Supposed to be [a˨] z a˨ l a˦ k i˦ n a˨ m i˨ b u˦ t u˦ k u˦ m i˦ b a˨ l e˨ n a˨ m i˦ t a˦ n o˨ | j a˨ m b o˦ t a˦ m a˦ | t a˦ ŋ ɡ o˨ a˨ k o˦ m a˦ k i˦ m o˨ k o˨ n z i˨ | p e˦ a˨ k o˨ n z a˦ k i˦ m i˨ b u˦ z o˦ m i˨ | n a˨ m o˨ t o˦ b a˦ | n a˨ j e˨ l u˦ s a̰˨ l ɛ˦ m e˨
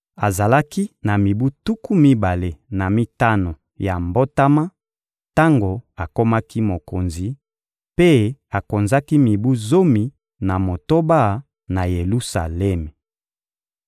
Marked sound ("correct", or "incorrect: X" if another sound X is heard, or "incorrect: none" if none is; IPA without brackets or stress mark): correct